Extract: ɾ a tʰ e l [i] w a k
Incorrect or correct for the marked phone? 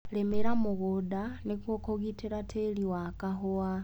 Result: correct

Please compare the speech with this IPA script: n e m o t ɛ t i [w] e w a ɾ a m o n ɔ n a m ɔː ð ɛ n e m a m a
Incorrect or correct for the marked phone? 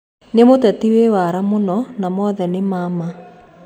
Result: correct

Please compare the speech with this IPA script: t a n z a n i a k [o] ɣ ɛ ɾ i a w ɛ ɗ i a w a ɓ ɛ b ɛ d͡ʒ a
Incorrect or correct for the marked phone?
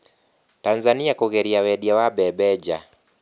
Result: incorrect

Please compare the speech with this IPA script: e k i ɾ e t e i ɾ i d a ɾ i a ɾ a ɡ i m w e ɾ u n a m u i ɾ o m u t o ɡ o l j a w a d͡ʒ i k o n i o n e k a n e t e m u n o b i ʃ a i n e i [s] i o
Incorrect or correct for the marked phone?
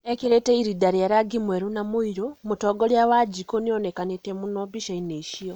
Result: incorrect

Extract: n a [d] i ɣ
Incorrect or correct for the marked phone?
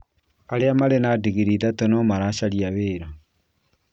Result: correct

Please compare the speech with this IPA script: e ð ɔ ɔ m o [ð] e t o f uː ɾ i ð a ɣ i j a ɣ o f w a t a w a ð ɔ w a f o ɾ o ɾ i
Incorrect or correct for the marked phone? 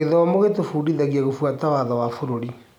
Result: incorrect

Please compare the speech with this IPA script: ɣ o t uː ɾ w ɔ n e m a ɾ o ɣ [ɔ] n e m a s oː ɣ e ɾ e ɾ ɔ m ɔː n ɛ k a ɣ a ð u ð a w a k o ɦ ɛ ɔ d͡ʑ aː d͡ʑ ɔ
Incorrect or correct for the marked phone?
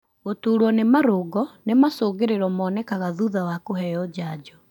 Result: correct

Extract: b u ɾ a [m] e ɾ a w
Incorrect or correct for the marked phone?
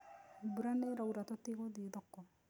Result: incorrect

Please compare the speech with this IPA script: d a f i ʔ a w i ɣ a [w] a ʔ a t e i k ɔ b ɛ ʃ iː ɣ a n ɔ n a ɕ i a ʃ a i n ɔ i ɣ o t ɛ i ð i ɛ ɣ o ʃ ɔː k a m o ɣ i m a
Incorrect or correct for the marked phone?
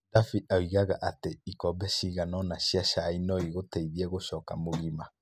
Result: incorrect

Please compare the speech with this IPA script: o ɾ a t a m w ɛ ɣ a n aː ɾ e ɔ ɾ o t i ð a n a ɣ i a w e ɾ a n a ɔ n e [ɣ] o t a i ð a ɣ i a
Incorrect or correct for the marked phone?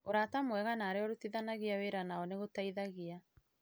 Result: correct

